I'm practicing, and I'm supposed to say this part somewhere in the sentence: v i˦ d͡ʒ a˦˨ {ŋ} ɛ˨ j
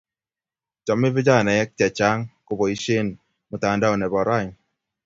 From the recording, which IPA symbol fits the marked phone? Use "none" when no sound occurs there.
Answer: n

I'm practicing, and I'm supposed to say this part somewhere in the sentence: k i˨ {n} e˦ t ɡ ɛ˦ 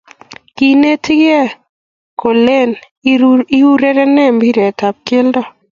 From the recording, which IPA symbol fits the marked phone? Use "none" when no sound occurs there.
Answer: n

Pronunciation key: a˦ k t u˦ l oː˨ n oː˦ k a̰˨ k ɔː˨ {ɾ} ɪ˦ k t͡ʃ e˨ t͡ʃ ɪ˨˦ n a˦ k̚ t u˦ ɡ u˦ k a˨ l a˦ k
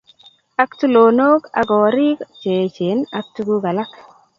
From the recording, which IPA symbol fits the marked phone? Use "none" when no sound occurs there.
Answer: ɾ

